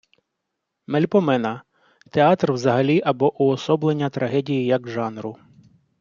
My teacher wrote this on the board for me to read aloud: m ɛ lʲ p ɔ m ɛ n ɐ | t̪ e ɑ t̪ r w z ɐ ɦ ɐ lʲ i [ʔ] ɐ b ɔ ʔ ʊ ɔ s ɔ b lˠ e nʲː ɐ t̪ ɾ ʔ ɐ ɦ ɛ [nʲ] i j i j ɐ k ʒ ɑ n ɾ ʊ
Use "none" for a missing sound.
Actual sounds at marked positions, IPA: ʔ, dʲ

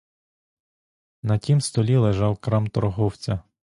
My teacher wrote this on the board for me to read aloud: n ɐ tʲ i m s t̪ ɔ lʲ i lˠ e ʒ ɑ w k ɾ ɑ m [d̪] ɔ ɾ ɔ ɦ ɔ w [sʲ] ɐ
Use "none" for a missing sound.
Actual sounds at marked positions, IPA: t̪, t͡sʲ

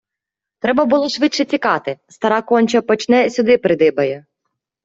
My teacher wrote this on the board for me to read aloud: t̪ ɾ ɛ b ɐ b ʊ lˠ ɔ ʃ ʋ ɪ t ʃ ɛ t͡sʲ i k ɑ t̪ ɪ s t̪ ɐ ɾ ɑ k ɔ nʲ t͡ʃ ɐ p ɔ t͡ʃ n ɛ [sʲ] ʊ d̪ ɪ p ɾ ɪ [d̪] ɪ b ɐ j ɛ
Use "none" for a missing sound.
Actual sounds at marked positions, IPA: sʲ, d̪

